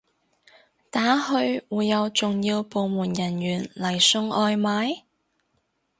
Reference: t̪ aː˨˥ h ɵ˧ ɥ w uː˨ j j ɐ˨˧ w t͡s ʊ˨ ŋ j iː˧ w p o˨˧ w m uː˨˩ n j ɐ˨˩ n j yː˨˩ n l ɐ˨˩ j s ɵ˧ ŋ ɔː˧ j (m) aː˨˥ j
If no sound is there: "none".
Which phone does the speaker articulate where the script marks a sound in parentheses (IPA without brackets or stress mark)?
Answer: m